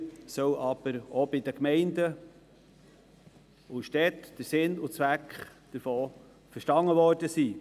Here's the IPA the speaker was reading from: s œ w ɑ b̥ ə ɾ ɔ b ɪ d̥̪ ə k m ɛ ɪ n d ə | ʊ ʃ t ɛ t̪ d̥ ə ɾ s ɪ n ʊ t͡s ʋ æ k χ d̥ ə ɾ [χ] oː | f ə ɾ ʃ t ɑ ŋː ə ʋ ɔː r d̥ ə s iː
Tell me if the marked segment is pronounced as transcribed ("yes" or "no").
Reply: no